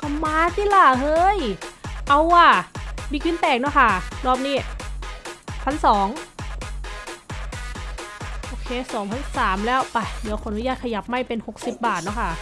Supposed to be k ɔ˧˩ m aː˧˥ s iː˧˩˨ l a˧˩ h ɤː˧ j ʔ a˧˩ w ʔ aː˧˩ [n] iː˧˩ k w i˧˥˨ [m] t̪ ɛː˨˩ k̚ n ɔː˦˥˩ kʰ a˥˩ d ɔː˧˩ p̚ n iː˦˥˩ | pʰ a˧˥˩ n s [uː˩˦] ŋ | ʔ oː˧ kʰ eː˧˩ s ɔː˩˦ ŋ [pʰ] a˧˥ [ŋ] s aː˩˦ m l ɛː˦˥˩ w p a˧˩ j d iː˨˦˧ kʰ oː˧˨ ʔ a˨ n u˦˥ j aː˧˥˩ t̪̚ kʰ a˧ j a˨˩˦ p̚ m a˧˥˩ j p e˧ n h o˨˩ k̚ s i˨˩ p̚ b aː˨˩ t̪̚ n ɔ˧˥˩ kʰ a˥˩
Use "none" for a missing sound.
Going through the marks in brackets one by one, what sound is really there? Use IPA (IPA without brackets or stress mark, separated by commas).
m, n, ɔː˩˦, pʰ, n